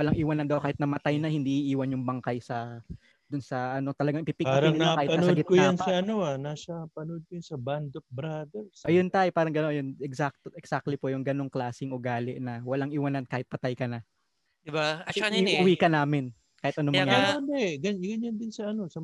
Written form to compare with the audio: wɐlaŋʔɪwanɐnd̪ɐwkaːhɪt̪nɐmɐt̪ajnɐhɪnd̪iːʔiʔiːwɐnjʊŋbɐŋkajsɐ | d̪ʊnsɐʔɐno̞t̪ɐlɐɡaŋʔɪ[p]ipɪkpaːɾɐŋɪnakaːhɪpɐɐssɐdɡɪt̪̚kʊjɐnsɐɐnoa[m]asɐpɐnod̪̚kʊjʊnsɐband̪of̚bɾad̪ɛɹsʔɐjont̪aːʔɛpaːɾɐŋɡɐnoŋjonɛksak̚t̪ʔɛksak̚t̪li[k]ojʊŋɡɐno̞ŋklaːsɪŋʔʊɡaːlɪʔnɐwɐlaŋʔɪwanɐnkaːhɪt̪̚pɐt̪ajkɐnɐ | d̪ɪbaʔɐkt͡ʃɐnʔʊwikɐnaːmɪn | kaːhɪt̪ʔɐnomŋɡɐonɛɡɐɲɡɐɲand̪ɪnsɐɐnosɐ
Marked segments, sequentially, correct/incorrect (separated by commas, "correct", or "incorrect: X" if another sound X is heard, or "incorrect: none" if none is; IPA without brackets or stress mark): correct, incorrect: n, incorrect: p